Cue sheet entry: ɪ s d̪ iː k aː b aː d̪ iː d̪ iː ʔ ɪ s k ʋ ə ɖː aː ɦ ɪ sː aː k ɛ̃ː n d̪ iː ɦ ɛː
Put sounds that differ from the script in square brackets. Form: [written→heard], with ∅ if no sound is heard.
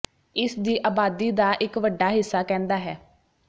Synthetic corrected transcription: ɪ s d̪ iː [k→ʔ] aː b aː d̪ iː d̪ [iː→aː] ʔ ɪ [s→∅] k ʋ ə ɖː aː ɦ ɪ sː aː k ɛ̃ː n d̪ [iː→aː] ɦ ɛː